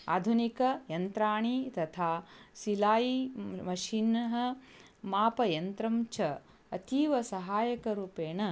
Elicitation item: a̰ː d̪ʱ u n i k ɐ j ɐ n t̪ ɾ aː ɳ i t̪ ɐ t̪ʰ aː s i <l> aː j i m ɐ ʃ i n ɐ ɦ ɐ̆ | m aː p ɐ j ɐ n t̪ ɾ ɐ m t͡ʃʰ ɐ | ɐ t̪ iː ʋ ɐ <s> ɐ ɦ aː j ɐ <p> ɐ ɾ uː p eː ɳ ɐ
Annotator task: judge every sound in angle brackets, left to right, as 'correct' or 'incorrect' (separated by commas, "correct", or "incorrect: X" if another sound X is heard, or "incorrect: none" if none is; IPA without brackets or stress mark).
correct, correct, incorrect: k